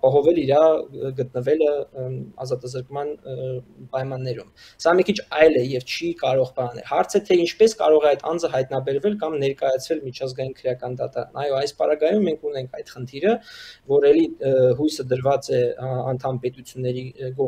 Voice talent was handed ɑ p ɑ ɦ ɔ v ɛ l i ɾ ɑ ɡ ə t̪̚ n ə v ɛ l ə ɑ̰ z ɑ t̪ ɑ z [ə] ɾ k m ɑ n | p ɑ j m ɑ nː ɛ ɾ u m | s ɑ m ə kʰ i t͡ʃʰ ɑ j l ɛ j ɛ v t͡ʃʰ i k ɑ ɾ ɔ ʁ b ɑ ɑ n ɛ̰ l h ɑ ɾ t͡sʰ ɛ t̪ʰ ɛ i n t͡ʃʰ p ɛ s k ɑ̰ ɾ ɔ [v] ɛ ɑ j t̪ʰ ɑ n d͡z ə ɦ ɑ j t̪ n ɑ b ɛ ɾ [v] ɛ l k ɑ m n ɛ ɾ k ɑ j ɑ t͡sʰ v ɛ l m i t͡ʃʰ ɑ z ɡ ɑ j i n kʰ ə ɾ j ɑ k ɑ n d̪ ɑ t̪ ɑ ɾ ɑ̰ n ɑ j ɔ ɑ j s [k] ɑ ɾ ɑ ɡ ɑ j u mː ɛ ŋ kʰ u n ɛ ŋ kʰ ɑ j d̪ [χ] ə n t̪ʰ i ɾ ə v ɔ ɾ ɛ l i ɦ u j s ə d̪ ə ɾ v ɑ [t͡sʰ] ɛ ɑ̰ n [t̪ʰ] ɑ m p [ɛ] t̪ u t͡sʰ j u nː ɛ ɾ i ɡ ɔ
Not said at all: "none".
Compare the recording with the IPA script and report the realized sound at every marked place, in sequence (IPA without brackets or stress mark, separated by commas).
ə, ʁ, v, p, χ, t͡s, t̪ʰ, ɛ